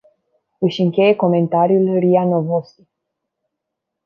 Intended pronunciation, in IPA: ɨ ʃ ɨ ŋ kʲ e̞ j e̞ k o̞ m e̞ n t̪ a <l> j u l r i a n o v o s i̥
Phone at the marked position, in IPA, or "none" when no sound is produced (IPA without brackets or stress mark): ɾ